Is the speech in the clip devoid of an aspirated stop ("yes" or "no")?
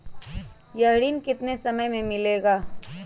yes